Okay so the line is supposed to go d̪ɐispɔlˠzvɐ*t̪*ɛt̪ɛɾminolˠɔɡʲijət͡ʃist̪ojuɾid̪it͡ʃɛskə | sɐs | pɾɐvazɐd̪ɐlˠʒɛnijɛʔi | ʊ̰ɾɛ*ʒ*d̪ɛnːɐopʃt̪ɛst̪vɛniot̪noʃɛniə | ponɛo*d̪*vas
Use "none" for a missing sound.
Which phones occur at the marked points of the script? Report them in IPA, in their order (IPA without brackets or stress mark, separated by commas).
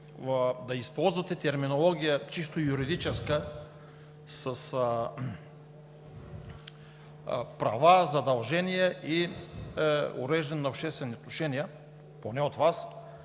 t̪, ʒ, t̪